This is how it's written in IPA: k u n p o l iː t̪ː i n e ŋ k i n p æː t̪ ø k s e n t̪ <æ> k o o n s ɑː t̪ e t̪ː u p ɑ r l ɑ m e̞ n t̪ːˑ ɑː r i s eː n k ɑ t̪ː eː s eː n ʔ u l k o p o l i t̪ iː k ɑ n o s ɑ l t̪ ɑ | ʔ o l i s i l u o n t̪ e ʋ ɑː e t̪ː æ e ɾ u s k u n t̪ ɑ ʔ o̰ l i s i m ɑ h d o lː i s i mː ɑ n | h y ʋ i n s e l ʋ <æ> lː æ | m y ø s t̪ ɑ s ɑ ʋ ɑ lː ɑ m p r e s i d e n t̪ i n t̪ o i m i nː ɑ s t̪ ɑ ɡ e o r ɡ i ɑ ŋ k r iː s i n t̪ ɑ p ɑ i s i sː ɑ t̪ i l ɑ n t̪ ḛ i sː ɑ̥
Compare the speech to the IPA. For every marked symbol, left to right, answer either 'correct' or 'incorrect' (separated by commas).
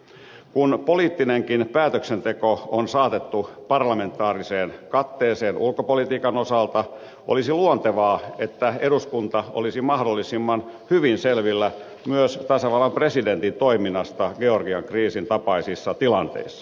incorrect, incorrect